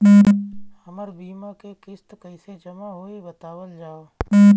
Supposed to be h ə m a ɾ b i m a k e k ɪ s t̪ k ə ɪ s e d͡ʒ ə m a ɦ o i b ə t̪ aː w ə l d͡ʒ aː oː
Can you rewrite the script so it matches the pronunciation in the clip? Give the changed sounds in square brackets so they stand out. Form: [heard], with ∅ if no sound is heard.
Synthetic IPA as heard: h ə m [ə] ɾ b [iː] m a k e k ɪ s t̪ k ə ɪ s e d͡ʒ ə m a ɦ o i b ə t̪ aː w ə l d͡ʒ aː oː